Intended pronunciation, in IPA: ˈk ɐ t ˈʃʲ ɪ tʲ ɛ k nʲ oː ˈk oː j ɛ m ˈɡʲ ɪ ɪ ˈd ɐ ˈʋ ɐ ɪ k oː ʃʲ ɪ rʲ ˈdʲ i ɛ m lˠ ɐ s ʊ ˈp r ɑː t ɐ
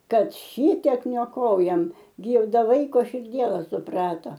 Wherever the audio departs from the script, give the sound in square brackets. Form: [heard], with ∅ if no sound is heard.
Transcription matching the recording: ˈk ɐ t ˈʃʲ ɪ tʲ ɛ k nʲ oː ˈk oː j ɛ m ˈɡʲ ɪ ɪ ˈd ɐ ˈʋ ɐ ɪ k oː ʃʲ ɪ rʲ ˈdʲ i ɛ [∅] lˠ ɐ s ʊ ˈp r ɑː t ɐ